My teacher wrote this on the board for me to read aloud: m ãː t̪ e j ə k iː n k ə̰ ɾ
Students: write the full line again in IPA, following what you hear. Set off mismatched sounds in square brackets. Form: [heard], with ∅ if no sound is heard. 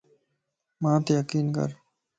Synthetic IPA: m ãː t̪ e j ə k iː n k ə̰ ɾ